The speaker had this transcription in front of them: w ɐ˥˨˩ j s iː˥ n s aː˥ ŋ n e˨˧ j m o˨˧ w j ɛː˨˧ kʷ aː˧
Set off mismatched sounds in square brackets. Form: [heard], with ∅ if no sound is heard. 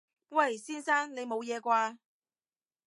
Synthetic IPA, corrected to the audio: w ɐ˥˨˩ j s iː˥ n s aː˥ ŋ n e˨˧ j m o˨˧ w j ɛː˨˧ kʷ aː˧